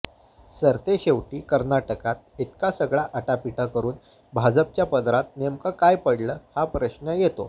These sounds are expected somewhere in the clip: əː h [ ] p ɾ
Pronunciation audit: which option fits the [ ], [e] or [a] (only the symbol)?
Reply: a